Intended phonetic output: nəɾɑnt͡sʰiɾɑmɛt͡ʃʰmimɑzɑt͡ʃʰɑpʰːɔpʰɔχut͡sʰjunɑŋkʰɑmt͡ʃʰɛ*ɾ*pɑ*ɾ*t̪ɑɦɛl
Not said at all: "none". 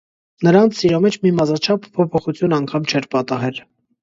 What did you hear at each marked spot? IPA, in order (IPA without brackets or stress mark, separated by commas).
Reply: ɾ, none